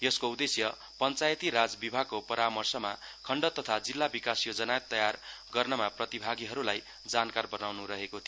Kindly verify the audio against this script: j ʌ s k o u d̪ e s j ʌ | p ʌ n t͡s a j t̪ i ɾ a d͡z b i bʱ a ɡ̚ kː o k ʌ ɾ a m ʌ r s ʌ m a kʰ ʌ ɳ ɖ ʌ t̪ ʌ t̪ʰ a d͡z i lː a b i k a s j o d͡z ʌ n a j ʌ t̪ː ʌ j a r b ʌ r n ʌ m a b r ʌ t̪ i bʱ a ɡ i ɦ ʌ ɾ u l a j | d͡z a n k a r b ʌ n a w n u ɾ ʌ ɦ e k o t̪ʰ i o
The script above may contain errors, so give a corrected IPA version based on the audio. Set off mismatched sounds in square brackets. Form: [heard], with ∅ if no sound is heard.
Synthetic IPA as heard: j ʌ s k o u d̪ e s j ʌ | p ʌ n t͡s a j t̪ i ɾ a d͡z b i bʱ a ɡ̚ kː o [p] ʌ ɾ a m ʌ r s ʌ m a kʰ ʌ ɳ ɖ ʌ t̪ ʌ t̪ʰ a d͡z i lː a b i k a s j o d͡z ʌ n a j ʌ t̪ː ʌ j a r [ɡ] ʌ r n ʌ m a [p] r ʌ t̪ i bʱ a ɡ i ɦ ʌ ɾ u l a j | d͡z a n k a r b ʌ n a w n u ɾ ʌ ɦ e k o t̪ʰ i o